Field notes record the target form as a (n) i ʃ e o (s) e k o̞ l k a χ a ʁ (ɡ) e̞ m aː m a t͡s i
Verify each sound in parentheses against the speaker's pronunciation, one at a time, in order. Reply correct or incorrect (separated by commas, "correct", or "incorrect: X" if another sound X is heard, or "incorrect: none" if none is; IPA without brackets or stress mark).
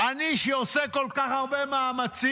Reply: correct, correct, incorrect: b